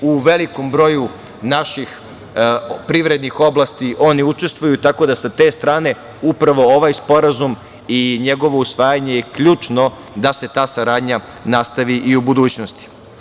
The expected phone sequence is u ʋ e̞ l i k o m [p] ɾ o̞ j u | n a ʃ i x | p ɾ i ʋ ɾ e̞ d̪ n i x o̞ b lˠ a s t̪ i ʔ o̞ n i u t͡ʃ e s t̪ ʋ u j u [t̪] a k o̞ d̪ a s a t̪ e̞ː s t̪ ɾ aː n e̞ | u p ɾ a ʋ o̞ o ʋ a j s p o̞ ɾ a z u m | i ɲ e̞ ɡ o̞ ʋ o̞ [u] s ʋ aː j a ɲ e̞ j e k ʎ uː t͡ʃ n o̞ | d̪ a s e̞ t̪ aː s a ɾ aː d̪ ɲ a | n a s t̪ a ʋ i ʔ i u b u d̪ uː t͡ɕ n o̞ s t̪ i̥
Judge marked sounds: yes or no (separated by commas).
no, yes, yes